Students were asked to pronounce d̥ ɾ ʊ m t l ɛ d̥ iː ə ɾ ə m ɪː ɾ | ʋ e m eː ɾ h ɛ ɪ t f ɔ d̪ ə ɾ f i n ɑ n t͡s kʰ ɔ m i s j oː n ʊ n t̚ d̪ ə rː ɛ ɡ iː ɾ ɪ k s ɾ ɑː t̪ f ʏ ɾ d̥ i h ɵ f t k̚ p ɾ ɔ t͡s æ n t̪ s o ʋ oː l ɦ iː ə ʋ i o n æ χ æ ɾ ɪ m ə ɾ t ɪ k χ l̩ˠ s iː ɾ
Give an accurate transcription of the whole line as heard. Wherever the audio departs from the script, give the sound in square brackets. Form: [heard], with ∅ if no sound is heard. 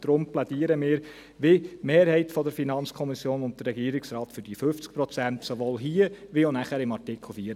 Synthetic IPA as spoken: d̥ ɾ ʊ m [p] l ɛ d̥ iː ə ɾ ə m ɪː ɾ | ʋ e m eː ɾ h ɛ ɪ t f ɔ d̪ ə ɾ f i n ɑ n t͡s kʰ ɔ m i s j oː n ʊ n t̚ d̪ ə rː ɛ ɡ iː ɾ ɪ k s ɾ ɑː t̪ f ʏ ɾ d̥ i [f] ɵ f [t͡s] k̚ p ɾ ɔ t͡s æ n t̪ s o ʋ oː l ɦ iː ə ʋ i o n æ χ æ ɾ ɪ m [ɑ] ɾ t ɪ k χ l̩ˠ [f] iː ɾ